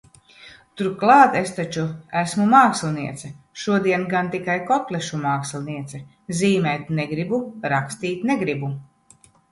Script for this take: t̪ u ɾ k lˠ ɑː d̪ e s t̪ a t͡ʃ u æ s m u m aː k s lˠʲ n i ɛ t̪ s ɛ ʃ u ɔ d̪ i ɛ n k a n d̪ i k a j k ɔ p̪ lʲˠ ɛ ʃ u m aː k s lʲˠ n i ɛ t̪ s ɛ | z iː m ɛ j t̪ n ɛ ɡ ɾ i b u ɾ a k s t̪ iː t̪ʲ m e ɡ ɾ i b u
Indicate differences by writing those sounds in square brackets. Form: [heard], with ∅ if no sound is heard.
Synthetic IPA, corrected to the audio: t̪ u ɾ k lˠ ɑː [t̪] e s t̪ a t͡ʃ u æ s m u m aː k s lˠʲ n i ɛ t̪ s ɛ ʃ u ɔ d̪ i ɛ n [ɡ] a n [t̪] i k a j k ɔ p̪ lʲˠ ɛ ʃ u m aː k s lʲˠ n i ɛ t̪ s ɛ | z iː m ɛ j t̪ n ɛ ɡ ɾ i b u ɾ a k s t̪ iː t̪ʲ [n] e ɡ ɾ i b u

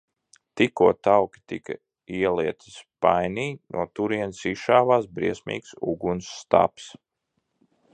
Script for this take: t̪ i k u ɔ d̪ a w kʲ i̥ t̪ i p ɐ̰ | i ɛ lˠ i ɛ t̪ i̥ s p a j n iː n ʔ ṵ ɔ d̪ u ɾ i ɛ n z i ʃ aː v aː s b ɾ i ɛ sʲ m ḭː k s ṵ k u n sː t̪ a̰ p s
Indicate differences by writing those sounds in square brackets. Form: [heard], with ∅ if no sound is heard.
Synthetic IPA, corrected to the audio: t̪ i k u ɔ [t̪] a w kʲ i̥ t̪ i [k] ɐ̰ | i ɛ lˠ i ɛ t̪ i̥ s p a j n iː n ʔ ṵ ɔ [t̪] u ɾ i ɛ n [s] i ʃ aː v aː s b ɾ i ɛ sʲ m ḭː k s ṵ [ɡ] u n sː t̪ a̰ p s

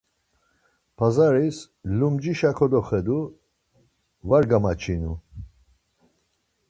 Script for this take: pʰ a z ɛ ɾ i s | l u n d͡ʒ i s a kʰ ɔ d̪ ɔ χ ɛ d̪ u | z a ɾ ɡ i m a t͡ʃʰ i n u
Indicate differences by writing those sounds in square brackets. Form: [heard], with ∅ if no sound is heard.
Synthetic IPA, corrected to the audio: pʰ a z [a] ɾ i s | l u [m] d͡ʒ i [ʃ] a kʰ ɔ d̪ ɔ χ ɛ d̪ u | [v] a ɾ ɡ [a] m a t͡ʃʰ i n u

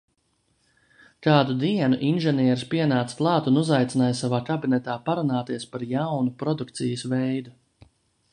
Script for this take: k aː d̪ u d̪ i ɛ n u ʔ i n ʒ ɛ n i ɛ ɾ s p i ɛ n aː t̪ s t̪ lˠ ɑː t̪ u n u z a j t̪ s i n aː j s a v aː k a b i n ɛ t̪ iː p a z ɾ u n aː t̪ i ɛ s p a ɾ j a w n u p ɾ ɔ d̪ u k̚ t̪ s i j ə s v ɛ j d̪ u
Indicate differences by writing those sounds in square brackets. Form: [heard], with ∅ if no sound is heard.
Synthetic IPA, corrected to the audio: k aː d̪ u d̪ i ɛ n u ʔ i n ʒ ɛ n i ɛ ɾ s p i ɛ n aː t̪ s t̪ lˠ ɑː t̪ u n u z a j t̪ s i n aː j s a v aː k a b i n ɛ t̪ [aː] p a [∅] ɾ u n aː t̪ i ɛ s p a ɾ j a w n u p ɾ ɔ d̪ u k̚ t̪ s i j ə s v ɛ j d̪ u

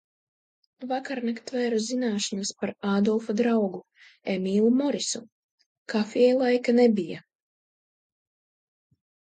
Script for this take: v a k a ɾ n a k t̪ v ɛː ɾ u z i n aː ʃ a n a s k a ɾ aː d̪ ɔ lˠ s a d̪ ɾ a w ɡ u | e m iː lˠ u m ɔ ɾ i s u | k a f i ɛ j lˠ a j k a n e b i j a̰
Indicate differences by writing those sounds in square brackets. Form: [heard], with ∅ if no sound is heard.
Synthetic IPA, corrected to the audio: v a k a ɾ n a k t̪ v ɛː ɾ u z i n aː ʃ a n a s [p] a ɾ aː d̪ ɔ lˠ [f] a d̪ ɾ a w ɡ u | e m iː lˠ u m ɔ ɾ i s u | k a f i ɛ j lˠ a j k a n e b i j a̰

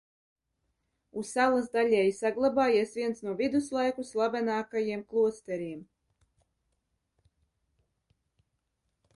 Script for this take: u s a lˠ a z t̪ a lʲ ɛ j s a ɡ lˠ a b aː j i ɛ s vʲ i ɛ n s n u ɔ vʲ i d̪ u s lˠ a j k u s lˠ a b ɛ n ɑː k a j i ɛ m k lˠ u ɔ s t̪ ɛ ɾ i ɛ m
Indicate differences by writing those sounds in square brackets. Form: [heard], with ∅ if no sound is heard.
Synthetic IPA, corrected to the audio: u s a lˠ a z [d̪] a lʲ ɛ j s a ɡ lˠ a b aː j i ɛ s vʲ i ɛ n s n u ɔ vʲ i d̪ u s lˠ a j k u s lˠ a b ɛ n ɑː k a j i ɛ m k lˠ u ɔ s t̪ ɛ ɾ i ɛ m

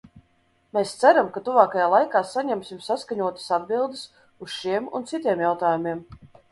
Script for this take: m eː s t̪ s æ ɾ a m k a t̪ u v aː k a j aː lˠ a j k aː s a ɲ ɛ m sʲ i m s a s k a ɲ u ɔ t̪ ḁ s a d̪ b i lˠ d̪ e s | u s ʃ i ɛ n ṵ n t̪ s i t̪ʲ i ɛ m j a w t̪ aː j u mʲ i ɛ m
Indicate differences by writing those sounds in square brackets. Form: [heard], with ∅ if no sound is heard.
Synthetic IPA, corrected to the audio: m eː s t̪ s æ ɾ a m k a t̪ u v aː k a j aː lˠ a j k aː s a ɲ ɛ m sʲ i m s a s k a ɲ u ɔ t̪ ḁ s a d̪ b i lˠ d̪ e s | u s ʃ i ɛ [m] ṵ n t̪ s i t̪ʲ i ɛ m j a w t̪ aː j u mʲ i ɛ m

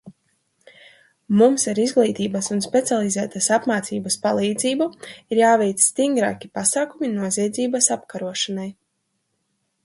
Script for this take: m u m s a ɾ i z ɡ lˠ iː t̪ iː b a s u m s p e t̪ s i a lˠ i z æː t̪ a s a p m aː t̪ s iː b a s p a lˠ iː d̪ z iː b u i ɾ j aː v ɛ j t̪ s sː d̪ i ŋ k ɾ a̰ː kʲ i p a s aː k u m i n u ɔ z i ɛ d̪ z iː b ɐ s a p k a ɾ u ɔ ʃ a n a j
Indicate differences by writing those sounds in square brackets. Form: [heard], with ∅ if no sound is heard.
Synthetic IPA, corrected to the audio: m u m s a ɾ i z ɡ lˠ iː t̪ iː b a s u [n] s p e t̪ s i a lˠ i z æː t̪ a s a p m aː t̪ s iː b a s p a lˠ iː d̪ z iː b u i ɾ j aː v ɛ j t̪ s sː [t̪] i ŋ [ɡ] ɾ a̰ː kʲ i p a s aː k u m i n u ɔ z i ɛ d̪ z iː b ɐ s a p k a ɾ u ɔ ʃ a n a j

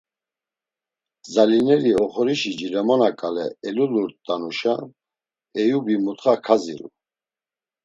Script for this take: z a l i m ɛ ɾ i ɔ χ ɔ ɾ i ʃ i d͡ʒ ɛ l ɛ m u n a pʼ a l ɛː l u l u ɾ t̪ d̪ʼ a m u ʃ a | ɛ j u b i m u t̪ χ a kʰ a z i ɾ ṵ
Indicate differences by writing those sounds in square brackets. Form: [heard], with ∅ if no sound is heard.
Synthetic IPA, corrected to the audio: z a l i [n] ɛ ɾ i ɔ χ ɔ ɾ i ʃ i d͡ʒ [i] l ɛ m [ɔ] n a [kʼ] a l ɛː l u l u ɾ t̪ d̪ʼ a [n] u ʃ a | ɛ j u b i m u t̪ χ a kʰ a z i ɾ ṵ

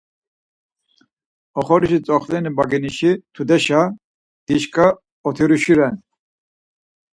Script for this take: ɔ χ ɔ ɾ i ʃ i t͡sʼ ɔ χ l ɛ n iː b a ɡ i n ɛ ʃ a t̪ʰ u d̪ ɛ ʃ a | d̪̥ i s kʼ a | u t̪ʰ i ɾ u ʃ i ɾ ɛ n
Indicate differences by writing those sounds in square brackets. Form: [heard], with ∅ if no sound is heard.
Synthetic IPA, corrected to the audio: ɔ χ ɔ ɾ i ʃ i t͡sʼ ɔ χ l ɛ n [i] b a ɡ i n [i] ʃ [i] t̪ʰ u d̪ ɛ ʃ a | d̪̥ i [ʃ] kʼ a | [ɔ] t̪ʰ i ɾ u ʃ i ɾ ɛ n

